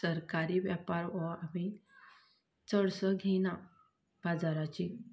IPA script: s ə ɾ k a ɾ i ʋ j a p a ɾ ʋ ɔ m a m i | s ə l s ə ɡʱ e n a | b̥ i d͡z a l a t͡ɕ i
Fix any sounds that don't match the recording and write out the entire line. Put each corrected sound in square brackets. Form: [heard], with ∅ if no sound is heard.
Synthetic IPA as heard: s ə ɾ k a ɾ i ʋ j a p a ɾ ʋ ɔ [∅] a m i | [t͡s] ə [ɽ] s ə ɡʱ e n a | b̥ [a] d͡z a [ɾ] a t͡ɕ i